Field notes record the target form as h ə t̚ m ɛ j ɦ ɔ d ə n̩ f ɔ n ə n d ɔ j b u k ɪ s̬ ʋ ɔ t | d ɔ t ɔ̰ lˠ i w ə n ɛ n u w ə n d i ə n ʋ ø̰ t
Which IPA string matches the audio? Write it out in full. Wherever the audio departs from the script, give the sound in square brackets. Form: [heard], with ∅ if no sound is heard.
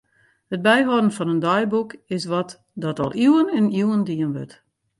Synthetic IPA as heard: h ə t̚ [b] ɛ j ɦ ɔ d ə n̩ f ɔ n ə n d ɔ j b u k ɪ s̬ ʋ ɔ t | d ɔ t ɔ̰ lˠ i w ə n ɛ n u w ə n d i ə n ʋ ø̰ t